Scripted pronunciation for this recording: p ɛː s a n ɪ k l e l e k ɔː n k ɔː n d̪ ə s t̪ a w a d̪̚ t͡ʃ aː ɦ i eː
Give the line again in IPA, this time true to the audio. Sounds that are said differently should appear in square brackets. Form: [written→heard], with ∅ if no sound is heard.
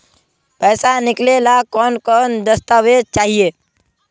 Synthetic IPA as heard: p ɛː s a n ɪ k l e l [e→a] k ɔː n k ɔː n d̪ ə s t̪ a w [a→e] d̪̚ t͡ʃ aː ɦ i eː